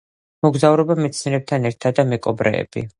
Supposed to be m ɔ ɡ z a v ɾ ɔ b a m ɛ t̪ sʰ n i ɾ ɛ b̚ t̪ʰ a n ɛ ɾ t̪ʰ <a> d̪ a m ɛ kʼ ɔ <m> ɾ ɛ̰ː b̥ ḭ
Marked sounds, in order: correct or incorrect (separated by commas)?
correct, incorrect